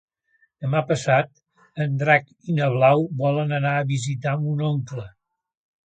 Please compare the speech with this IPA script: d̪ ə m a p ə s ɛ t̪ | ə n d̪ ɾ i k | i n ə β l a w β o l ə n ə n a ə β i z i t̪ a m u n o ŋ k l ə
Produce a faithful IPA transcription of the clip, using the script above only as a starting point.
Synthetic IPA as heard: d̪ ə m a p ə s a t̪ | ə n d̪ ɾ a k | i n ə β l a w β ɔ l ə n ə n a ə β i z i t̪ a m u n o ŋ k l ə